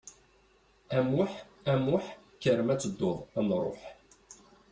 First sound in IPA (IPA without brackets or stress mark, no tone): æ